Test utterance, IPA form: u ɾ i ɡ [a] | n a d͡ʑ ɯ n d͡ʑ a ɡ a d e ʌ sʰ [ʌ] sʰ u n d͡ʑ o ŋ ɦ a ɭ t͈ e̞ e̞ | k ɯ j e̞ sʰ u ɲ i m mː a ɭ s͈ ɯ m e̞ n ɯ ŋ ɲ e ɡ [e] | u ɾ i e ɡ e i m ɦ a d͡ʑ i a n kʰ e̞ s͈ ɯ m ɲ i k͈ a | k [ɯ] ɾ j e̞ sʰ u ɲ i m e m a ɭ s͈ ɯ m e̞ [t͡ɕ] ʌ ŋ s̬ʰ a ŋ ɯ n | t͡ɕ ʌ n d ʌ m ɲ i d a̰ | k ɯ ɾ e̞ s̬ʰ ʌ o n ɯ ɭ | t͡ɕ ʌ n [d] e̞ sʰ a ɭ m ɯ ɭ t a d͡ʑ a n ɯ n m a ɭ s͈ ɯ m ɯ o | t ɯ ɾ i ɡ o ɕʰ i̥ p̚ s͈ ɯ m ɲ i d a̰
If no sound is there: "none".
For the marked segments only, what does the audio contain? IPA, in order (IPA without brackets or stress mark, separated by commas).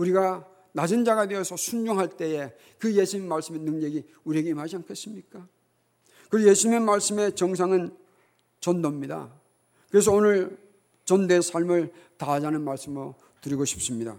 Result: a, ʌ, i, ɯ, t͡ɕ, d